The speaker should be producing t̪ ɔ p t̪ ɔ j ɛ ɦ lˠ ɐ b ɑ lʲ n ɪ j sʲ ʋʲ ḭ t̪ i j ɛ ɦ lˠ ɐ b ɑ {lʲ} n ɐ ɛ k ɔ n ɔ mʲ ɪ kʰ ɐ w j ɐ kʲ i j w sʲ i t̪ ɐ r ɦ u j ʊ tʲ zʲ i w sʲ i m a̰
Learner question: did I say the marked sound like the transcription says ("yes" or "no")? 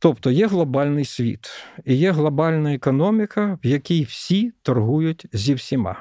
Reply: yes